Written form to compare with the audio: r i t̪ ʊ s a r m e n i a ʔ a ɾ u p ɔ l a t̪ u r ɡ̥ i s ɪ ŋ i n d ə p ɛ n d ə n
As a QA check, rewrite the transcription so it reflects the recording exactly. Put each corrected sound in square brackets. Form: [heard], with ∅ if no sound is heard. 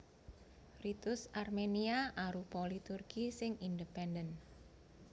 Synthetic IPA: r i t̪ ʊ s a r m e n i a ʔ a ɾ u p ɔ l [i] t̪ u r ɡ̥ i s ɪ ŋ i n d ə p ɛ n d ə n